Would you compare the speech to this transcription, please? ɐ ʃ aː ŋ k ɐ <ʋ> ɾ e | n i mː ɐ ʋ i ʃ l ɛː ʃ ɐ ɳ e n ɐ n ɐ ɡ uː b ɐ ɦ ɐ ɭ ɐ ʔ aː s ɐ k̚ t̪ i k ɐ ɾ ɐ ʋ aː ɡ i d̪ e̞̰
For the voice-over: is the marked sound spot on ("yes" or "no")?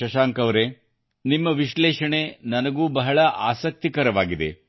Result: yes